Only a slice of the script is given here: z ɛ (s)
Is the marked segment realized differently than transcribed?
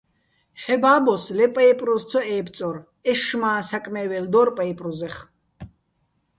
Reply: yes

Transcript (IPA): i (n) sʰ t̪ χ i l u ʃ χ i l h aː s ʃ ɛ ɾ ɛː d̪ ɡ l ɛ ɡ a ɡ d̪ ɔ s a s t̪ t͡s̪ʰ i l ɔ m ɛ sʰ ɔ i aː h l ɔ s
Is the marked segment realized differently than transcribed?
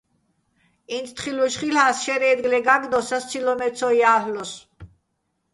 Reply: no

